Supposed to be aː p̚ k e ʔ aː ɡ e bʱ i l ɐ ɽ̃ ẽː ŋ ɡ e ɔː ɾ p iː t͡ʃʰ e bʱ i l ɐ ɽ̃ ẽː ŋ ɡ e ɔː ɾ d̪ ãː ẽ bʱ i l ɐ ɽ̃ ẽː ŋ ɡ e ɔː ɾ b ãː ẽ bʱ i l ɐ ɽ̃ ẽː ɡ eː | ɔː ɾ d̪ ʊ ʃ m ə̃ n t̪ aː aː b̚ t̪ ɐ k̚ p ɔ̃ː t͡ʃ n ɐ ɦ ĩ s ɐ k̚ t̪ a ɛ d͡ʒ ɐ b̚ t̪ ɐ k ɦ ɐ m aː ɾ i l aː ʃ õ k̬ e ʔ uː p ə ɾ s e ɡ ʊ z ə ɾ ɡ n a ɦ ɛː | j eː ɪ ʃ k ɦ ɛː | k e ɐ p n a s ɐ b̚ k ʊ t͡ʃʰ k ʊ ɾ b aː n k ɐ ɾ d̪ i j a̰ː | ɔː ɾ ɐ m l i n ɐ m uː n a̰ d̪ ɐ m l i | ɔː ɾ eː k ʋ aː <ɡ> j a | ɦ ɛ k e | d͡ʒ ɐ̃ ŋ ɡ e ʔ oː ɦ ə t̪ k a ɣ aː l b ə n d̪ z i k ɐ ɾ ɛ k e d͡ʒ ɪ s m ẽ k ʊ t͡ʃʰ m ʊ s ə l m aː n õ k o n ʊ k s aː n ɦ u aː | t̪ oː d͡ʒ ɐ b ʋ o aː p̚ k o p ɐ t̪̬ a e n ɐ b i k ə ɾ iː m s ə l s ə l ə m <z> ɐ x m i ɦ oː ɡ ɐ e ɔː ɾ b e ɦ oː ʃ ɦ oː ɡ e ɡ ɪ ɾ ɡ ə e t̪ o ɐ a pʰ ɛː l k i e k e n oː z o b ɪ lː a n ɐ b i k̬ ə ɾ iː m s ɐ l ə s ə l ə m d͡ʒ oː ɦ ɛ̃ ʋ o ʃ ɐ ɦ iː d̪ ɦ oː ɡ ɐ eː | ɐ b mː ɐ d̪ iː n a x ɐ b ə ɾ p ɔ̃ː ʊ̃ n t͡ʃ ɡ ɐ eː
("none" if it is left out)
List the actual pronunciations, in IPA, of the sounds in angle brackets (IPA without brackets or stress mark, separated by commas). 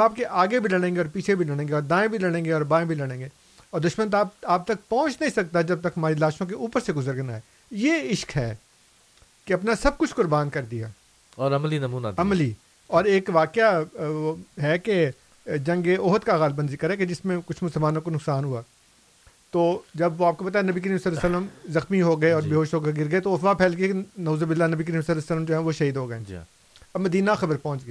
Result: k, z